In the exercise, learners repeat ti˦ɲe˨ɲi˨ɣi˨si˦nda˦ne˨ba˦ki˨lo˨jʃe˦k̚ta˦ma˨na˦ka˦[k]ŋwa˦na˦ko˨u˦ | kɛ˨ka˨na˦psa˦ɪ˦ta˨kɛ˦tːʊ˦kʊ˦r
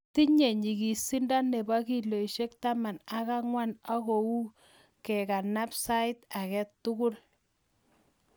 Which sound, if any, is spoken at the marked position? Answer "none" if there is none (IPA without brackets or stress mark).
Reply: none